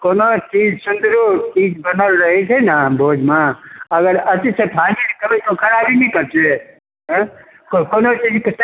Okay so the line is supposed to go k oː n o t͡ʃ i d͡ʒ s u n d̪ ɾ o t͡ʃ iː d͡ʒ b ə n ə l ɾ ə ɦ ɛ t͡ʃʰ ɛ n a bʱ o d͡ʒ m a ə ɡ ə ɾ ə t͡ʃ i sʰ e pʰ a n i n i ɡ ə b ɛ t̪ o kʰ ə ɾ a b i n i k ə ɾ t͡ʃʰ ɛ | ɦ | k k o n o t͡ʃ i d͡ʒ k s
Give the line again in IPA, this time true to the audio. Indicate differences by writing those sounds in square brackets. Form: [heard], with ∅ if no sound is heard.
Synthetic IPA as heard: k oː n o t͡ʃ i d͡ʒ s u n d̪ ɾ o t͡ʃ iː d͡ʒ b ə n ə l ɾ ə ɦ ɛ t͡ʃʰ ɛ n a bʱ o d͡ʒ m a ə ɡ ə ɾ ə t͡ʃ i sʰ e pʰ a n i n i [k] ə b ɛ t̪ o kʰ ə ɾ a b i n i k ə ɾ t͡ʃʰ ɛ | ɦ | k k o n o t͡ʃ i d͡ʒ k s